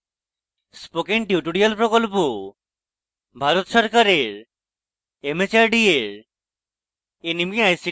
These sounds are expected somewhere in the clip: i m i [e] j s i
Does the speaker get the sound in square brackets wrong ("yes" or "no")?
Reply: yes